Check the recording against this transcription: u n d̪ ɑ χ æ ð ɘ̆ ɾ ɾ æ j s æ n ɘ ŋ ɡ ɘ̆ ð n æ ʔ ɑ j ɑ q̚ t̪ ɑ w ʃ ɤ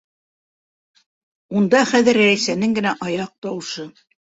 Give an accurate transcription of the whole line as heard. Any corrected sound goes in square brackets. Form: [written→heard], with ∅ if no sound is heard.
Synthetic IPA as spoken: u n d̪ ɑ χ æ ð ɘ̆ ɾ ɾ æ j s æ n ɘ ŋ ɡ ɘ̆ [ð→∅] n æ ʔ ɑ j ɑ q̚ t̪ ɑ w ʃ ɤ